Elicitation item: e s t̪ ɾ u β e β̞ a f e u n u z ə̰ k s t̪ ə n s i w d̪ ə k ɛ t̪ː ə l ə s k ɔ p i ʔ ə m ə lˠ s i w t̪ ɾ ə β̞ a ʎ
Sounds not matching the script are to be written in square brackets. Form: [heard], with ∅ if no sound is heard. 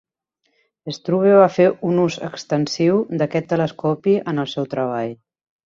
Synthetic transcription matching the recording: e s t̪ ɾ u β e β̞ a f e u n u z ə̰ k s t̪ ə n s i w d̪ ə k ɛ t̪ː ə l ə s k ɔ p i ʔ ə [n] ə lˠ s [ɛ] w t̪ ɾ ə β̞ a ʎ